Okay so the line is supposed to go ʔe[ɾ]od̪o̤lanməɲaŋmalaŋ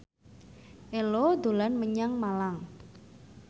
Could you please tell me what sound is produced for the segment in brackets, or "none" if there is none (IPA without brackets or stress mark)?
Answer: l